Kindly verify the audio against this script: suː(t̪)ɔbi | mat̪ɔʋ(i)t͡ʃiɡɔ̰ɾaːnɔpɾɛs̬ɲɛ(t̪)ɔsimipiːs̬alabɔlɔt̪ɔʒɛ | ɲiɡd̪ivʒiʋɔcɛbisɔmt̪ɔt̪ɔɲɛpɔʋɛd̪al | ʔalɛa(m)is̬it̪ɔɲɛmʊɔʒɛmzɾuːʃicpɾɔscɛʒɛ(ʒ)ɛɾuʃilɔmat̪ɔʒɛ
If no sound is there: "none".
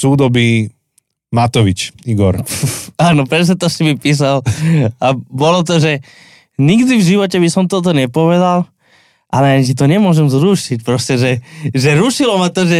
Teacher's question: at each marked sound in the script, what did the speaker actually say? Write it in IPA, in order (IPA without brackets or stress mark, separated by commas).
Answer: d̪, i, t̪, ɲ, ʒ